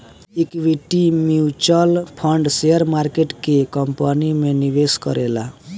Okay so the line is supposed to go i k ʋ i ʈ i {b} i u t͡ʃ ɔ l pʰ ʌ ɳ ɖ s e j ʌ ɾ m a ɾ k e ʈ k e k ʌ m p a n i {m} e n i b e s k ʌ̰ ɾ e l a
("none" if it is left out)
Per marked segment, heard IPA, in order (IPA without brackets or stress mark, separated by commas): m, m